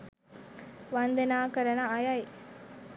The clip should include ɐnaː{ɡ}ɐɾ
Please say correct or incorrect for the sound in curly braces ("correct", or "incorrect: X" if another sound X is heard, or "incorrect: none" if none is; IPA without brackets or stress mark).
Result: incorrect: k